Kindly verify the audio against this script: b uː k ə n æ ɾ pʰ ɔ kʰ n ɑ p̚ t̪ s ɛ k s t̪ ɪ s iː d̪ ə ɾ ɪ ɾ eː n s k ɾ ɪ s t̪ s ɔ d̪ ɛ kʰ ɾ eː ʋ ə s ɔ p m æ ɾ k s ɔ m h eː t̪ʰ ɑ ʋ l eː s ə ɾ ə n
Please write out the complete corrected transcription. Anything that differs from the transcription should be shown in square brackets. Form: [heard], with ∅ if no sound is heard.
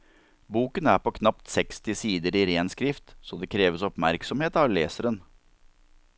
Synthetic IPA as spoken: b uː k ə n æ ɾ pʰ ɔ kʰ n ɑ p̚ t̪ s ɛ k s t̪ ɪ s iː d̪ ə ɾ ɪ ɾ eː n s k ɾ ɪ [f] t̪ s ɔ d̪ ɛ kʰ ɾ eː ʋ ə s ɔ p m æ ɾ k s ɔ m h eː [t̪] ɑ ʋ l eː s ə ɾ ə n